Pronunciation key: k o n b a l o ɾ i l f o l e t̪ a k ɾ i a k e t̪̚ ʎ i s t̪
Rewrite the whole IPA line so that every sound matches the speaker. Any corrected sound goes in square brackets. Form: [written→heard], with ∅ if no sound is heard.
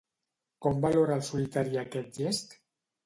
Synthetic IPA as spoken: k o [n→m] b a l o ɾ [i→a] l [f→s] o l [e→i] t̪ a [k→∅] ɾ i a k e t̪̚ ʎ [i→e] s t̪